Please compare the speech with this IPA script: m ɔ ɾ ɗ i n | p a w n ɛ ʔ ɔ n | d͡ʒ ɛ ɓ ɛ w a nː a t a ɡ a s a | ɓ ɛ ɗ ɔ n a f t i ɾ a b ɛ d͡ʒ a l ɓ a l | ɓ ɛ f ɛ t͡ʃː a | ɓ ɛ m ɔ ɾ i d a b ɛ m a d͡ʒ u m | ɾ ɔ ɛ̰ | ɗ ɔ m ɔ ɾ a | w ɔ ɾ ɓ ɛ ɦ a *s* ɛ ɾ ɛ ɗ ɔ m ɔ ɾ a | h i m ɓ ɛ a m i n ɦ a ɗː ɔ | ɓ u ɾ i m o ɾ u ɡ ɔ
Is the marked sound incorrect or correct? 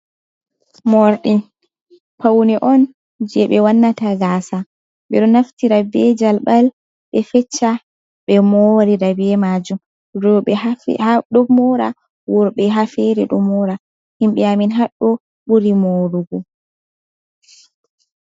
incorrect